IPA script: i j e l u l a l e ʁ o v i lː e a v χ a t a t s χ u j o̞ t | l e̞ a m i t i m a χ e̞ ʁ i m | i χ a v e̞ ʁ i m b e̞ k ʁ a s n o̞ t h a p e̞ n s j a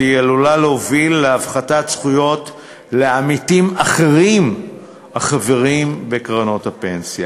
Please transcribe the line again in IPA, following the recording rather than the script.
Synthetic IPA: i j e l u l a l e o v i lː e a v χ a t a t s χ u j o̞ t | l e̞ a m i t i m a χ e̞ ʁ i m | a χ a v e̞ ʁ i m b e̞ k ʁ a n o̞ t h a p e̞ n s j a